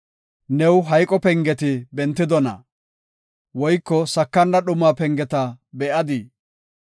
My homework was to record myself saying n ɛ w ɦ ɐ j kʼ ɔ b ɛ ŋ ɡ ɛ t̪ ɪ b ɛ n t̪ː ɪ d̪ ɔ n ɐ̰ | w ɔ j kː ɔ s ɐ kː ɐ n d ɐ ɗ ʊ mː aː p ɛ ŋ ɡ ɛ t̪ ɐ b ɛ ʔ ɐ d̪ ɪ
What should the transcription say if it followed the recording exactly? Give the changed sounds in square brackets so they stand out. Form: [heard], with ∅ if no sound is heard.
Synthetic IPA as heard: n ɛ w ɦ ɐ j kʼ ɔ [p] ɛ ŋ ɡ ɛ t̪ ɪ b ɛ n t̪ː ɪ d̪ ɔ n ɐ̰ | w ɔ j kː ɔ s ɐ kː ɐ n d ɐ ɗ ʊ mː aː p ɛ ŋ ɡ ɛ t̪ ɐ b ɛ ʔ ɐ d̪ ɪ